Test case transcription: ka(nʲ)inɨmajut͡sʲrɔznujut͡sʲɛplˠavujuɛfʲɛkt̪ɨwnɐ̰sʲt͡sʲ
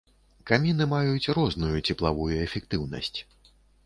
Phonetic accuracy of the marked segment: incorrect: mʲ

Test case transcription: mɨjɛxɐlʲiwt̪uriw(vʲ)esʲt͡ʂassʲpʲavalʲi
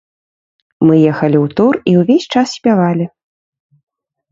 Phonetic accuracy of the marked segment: correct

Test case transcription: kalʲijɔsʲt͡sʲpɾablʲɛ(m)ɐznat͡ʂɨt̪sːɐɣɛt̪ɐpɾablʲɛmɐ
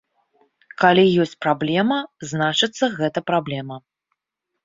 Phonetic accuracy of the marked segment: correct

